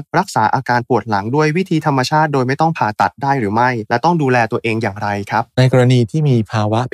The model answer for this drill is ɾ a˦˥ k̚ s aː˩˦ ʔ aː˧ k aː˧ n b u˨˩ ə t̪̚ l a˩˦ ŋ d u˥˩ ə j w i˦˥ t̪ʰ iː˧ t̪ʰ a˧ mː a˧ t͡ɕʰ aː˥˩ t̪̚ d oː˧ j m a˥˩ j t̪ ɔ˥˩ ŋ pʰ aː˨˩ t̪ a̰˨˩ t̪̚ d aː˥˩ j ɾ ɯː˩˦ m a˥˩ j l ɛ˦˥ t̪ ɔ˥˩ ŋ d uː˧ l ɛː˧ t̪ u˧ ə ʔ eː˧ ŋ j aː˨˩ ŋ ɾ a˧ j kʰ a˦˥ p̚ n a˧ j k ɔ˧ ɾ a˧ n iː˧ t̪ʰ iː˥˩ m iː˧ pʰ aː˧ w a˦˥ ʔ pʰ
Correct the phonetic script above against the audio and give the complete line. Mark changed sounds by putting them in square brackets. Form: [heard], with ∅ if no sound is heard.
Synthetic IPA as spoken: ɾ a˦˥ k̚ s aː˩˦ ʔ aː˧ k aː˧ n [p] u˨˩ ə t̪̚ l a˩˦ ŋ d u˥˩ ə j w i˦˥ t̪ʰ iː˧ t̪ʰ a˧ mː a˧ t͡ɕʰ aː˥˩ t̪̚ d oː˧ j m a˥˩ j t̪ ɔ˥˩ ŋ pʰ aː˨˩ t̪ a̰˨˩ t̪̚ d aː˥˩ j ɾ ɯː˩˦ m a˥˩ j l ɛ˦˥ t̪ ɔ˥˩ ŋ d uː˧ l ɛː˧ t̪ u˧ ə ʔ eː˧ ŋ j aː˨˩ ŋ ɾ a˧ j kʰ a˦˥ p̚ n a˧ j k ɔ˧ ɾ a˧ n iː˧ t̪ʰ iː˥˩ m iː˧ pʰ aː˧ w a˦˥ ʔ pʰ